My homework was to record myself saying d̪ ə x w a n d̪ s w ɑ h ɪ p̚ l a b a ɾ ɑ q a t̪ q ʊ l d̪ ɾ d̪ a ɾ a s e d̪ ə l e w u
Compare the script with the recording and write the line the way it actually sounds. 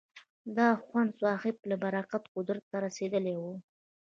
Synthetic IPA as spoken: d̪ ɑ x w a n d̪ s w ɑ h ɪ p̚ l a b a ɾ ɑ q a t̪ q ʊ d̪ ɾ t̪ a ɾ a s e d̪ ə l e w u